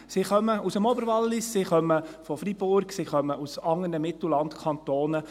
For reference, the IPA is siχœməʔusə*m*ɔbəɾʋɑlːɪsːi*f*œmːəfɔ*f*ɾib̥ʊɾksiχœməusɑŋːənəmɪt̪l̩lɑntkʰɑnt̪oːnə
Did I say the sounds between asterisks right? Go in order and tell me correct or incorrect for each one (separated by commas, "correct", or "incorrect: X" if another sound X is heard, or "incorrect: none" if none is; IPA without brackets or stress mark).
correct, incorrect: χ, correct